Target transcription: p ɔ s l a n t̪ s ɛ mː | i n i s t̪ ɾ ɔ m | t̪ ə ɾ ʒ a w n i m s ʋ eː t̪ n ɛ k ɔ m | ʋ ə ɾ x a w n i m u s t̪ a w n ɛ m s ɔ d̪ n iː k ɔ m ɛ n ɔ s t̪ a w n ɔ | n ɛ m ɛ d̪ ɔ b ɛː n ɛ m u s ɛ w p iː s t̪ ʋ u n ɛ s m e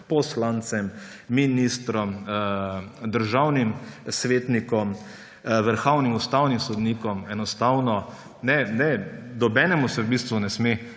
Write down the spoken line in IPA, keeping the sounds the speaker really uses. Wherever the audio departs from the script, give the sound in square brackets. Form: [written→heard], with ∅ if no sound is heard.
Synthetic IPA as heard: p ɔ s l a n t̪ s ɛ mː | i n i s t̪ ɾ ɔ m | [t̪→d̪] ə ɾ ʒ a w n i m s ʋ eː t̪ n [ɛ→i] k ɔ m | ʋ ə ɾ x a w n i m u s t̪ a w n [ɛ→i] m s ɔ d̪ n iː k ɔ m ɛ n ɔ s t̪ a w n ɔ | n ɛ [m→n] ɛ d̪ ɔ b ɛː n ɛ m u s ɛ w [p→b] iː s t̪ ʋ u n ɛ s m e